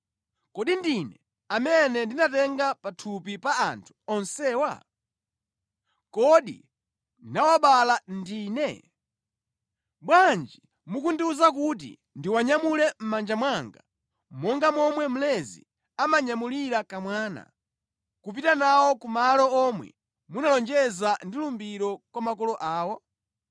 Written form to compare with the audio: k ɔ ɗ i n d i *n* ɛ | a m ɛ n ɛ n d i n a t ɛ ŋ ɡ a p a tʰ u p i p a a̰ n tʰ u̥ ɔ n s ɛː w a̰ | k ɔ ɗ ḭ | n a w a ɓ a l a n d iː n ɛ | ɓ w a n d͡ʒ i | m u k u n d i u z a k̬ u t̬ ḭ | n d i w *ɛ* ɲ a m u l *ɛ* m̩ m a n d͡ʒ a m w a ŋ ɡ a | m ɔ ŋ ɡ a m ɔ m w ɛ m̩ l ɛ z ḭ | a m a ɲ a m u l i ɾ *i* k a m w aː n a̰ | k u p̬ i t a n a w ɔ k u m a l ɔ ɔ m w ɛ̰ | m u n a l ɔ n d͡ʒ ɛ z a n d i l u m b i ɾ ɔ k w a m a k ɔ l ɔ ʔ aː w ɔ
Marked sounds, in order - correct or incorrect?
correct, incorrect: a, correct, incorrect: a

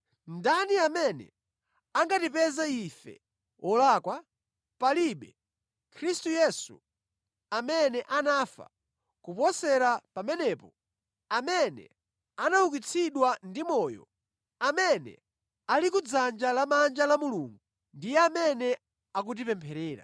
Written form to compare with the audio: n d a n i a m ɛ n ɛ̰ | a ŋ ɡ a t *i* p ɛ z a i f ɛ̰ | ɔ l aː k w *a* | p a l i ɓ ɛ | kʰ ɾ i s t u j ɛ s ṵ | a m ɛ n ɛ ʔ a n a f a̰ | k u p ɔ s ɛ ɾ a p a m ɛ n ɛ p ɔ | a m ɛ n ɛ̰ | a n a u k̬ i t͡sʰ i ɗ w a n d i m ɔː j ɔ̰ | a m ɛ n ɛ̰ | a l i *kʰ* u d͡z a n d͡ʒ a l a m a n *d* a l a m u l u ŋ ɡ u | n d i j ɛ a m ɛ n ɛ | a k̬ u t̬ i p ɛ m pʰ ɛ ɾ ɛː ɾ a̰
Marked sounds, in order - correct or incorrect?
correct, correct, incorrect: k, incorrect: d͡ʒ

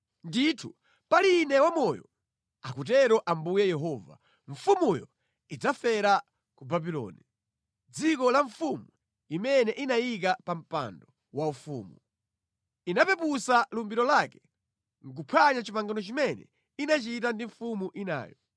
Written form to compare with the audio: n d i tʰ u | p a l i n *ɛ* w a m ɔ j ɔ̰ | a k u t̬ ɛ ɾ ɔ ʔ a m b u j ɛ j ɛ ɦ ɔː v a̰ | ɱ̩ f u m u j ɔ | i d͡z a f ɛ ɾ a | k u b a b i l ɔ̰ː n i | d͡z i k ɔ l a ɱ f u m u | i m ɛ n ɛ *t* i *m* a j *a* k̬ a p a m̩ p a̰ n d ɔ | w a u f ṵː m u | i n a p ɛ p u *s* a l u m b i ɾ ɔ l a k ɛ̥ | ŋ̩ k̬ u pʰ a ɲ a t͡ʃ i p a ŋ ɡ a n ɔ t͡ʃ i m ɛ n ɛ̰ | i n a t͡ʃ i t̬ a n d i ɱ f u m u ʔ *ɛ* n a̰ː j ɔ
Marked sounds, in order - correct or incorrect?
correct, incorrect: ʔ, incorrect: n, incorrect: i, correct, incorrect: i

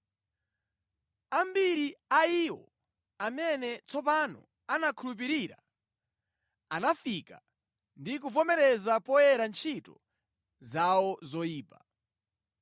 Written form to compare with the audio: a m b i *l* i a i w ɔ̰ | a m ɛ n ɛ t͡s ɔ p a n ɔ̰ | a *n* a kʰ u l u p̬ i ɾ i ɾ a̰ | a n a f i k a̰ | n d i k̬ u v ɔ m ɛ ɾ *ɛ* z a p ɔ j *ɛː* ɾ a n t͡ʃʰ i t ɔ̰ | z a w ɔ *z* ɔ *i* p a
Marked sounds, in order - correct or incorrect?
incorrect: ɾ, correct, correct, incorrect: ɛ, correct, incorrect: iː

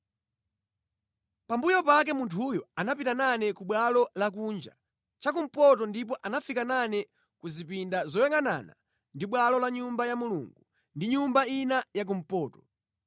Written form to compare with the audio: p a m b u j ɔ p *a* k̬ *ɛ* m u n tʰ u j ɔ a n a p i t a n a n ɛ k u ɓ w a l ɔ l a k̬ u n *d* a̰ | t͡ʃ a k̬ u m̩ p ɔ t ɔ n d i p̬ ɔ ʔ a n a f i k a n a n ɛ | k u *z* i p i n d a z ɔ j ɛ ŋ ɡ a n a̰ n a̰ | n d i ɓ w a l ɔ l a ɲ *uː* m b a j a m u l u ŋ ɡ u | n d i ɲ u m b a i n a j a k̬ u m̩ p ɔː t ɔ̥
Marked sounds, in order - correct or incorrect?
correct, correct, incorrect: d͡ʒ, correct, incorrect: u

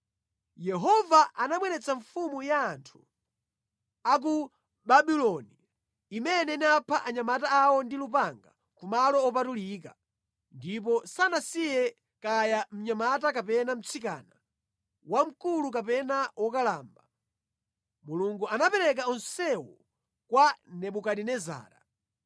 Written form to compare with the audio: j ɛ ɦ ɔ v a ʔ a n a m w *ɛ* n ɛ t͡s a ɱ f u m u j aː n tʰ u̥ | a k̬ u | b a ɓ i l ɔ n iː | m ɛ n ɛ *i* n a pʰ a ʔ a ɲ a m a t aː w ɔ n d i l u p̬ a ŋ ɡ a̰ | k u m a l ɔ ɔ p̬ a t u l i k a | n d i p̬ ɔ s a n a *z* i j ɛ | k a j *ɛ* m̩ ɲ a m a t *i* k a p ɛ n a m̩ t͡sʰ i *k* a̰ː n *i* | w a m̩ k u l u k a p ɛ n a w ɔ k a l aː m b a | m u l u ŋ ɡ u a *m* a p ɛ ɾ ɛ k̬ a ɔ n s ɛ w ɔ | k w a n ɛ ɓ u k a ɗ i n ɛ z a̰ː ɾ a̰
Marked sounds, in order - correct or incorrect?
correct, correct, incorrect: s, incorrect: a, incorrect: a, correct, incorrect: a, incorrect: n

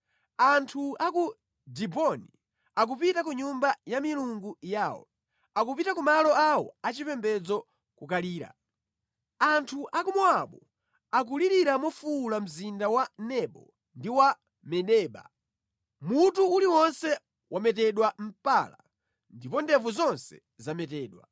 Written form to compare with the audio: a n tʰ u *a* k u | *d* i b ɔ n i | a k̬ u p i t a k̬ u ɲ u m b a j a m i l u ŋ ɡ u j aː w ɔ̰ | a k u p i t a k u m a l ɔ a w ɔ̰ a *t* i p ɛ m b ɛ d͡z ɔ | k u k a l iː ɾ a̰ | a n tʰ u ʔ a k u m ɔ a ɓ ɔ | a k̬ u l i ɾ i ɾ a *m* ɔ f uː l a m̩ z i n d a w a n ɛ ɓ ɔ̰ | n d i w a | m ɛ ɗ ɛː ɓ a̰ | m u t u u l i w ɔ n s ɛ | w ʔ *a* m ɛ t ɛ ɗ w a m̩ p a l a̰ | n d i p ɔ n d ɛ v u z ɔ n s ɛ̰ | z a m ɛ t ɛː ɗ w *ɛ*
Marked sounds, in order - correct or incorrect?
correct, correct, incorrect: t͡ʃ, correct, correct, incorrect: a

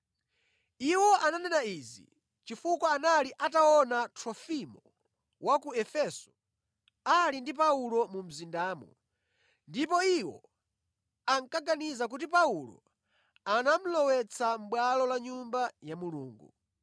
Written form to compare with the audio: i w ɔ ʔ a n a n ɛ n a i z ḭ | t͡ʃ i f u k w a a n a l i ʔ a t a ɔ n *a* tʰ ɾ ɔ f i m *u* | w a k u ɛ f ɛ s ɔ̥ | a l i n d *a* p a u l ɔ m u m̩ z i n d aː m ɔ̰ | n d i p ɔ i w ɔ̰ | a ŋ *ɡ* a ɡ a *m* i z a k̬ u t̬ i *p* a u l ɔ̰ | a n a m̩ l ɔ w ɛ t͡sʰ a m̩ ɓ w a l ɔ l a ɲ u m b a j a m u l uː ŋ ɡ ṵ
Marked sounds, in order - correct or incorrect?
correct, incorrect: ɔ, incorrect: i, incorrect: k, incorrect: n, correct

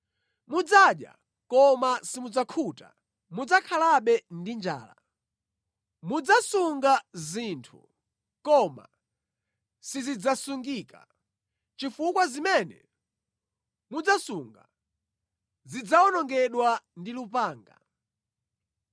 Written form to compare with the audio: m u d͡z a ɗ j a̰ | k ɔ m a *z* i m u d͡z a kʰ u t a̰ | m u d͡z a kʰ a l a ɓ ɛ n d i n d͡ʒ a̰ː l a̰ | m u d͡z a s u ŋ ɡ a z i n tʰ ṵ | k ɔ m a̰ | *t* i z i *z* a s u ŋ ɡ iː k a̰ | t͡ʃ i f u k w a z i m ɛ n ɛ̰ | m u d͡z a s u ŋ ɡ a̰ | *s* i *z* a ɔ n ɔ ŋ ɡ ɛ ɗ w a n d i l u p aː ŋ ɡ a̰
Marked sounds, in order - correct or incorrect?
incorrect: s, incorrect: s, incorrect: d͡z, incorrect: z, incorrect: d͡z

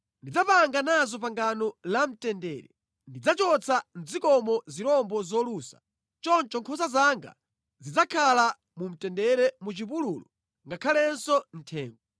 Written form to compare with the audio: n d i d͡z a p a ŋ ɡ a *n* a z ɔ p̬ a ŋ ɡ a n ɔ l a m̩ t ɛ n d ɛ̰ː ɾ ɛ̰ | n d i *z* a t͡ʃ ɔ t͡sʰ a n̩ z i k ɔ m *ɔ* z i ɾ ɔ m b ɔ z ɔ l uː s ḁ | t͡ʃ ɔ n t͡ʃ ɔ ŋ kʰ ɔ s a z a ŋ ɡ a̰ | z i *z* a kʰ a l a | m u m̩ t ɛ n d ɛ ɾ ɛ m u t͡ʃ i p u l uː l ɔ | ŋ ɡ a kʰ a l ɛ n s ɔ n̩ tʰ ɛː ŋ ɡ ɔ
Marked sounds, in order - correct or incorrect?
correct, incorrect: d͡z, correct, incorrect: d͡z

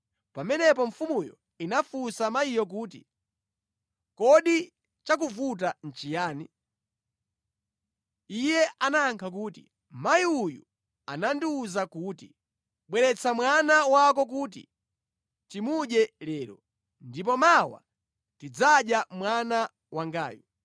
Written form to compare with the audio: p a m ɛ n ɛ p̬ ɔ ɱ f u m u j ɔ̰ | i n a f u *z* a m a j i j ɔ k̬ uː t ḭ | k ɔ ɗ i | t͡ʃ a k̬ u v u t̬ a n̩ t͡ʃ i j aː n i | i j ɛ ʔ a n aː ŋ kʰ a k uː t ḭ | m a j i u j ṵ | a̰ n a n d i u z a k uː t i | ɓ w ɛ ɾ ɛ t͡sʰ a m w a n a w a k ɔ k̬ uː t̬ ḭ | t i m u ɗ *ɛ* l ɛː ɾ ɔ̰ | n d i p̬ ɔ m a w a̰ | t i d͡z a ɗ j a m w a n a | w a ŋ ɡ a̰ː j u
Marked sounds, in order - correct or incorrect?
incorrect: s, correct

